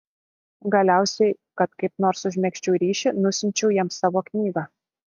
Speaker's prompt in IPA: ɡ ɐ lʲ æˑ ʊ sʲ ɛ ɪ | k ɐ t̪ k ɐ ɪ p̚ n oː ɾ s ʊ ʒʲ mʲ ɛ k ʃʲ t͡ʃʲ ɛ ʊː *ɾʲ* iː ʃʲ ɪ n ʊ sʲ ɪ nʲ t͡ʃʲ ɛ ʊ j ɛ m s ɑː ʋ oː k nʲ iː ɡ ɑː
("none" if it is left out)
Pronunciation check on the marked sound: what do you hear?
ɾʲ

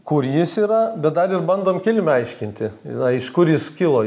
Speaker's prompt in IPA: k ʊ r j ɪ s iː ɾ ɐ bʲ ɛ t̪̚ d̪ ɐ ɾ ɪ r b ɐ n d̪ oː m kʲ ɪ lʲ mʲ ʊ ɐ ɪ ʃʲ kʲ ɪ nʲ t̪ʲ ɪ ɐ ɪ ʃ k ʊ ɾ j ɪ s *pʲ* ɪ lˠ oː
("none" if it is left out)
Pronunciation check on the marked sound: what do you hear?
kʲ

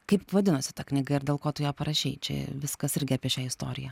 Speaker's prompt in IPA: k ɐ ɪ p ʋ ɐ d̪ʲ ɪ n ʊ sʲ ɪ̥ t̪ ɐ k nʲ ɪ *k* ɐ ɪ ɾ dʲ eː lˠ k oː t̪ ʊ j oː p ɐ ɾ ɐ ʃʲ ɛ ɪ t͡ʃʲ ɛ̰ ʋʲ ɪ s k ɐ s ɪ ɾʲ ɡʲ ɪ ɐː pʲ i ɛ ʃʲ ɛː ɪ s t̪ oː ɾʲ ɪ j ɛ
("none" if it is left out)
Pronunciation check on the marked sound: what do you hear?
ɡ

